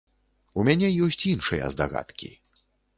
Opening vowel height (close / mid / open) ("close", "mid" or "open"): close